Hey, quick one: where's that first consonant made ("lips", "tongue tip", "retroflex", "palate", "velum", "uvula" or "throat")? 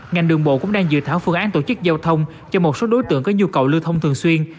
velum